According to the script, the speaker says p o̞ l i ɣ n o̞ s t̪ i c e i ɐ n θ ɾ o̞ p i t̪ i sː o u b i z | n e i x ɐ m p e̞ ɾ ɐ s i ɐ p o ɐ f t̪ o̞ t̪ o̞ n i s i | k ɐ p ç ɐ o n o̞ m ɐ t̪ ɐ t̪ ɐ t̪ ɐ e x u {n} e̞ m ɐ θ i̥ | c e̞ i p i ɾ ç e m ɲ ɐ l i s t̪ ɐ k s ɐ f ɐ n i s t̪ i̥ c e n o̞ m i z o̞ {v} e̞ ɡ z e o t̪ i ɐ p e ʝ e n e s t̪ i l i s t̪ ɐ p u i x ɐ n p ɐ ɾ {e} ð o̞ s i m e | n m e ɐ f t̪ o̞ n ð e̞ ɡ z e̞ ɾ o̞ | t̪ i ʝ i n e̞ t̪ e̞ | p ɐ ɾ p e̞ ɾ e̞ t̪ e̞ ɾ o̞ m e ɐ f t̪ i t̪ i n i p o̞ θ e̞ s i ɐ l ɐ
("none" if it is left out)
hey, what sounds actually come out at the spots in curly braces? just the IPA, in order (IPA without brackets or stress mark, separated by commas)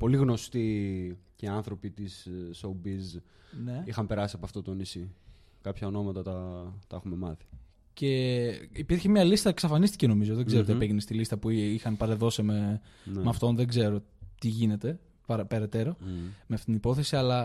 m, ð, e